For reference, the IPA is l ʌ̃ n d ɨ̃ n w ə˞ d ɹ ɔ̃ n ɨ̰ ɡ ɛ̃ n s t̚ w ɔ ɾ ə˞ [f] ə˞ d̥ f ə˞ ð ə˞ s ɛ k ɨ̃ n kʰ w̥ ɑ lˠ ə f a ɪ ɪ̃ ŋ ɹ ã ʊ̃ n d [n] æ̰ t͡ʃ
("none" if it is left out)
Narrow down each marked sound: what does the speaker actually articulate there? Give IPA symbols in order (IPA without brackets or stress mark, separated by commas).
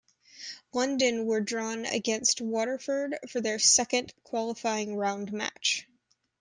f, m